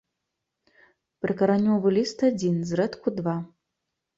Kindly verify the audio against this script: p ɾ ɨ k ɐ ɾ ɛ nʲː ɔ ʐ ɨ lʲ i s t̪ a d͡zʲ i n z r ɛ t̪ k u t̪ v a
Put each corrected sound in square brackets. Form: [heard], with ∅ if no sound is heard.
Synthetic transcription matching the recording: p ɾ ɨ k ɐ ɾ [a] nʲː ɔ [v] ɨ lʲ i s t̪ a d͡zʲ i n z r ɛ t̪ k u [d̪] v a